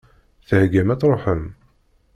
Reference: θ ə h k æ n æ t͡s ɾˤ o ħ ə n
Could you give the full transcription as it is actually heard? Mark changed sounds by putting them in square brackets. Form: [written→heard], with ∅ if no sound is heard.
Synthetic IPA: θ ə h [k→ɡ] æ [n→m] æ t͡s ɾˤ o ħ ə [n→m]